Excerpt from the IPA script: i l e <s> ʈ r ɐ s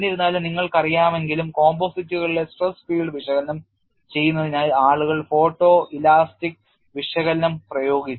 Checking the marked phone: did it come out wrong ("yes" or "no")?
no